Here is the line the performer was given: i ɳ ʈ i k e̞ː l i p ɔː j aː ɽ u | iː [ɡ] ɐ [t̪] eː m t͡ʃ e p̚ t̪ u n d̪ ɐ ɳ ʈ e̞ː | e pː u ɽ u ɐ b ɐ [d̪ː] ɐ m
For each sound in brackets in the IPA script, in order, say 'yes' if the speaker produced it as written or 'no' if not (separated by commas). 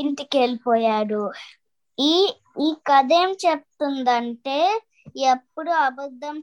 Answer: no, no, yes